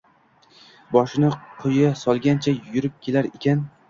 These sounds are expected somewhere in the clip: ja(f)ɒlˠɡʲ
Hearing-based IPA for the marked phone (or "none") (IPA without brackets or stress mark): s